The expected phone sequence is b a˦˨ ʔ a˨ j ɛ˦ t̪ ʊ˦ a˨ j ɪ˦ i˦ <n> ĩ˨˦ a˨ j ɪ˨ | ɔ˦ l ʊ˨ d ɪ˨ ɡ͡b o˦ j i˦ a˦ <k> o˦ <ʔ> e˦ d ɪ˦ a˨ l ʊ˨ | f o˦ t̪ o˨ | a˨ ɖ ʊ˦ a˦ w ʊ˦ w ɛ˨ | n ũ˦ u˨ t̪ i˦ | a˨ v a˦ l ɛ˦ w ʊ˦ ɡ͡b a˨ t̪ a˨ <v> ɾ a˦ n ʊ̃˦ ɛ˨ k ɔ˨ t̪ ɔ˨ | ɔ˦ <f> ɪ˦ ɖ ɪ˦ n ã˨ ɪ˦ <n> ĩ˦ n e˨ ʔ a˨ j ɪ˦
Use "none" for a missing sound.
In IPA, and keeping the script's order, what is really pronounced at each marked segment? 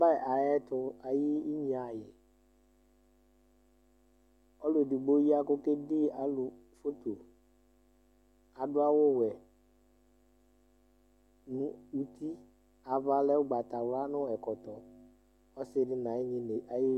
ɲ, k, k, w, s, ɲ

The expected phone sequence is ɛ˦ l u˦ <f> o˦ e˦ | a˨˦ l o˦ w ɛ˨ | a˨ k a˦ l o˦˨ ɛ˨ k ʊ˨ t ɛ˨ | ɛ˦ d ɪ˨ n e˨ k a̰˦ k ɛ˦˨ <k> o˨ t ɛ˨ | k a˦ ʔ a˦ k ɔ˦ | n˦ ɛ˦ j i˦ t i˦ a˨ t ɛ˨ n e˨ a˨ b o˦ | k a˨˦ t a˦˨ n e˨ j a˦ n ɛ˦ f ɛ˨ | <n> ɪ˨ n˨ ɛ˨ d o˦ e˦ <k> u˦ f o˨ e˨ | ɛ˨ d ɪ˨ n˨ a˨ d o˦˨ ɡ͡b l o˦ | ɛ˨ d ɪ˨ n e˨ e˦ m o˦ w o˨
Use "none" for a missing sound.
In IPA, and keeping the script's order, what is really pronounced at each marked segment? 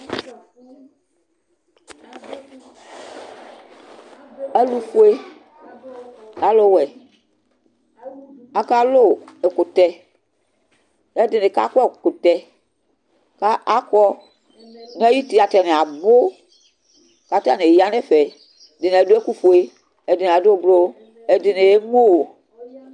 f, k, d, k

